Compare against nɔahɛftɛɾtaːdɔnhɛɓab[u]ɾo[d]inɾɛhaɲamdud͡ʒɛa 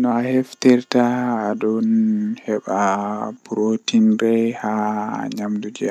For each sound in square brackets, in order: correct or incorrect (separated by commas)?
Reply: correct, incorrect